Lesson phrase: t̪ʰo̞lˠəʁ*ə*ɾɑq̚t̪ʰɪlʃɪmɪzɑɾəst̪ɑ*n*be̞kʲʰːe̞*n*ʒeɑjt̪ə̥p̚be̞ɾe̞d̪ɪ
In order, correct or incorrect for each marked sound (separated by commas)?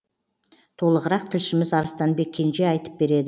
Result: correct, correct, correct